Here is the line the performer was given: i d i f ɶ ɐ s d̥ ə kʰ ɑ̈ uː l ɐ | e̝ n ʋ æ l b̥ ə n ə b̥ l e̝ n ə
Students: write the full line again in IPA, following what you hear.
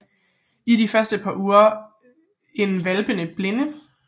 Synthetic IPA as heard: i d i f ɶ ɐ s d̥ ə pʰ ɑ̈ uː ɐ | e̝ n ʋ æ l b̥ ə n ə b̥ l e̝ n ə